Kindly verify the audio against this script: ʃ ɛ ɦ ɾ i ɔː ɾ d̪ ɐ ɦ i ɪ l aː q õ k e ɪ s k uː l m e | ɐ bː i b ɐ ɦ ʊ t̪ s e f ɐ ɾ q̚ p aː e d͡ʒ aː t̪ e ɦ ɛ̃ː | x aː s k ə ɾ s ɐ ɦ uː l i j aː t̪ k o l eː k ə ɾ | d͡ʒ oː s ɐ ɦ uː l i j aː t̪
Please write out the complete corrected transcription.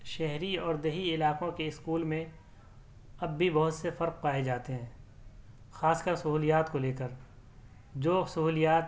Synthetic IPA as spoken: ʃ ɛ ɦ ɾ i ɔː ɾ d̪ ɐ ɦ i ɪ l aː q õ k e ɪ s k uː l m ẽ | ɐ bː i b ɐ ɦ ʊ t̪ s e f ɐ ɾ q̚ p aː e d͡ʒ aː t̪ e ɦ ɛ̃ː | x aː s k ə ɾ s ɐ ɦ uː l i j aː t̪ k o l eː k ə ɾ | d͡ʒ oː s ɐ ɦ uː l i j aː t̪